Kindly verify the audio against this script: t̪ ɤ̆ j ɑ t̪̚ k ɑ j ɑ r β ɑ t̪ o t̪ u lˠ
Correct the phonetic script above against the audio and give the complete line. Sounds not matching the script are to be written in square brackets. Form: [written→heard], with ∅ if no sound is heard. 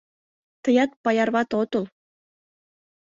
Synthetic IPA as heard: t̪ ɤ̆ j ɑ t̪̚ [k→p] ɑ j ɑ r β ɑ t̪ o t̪ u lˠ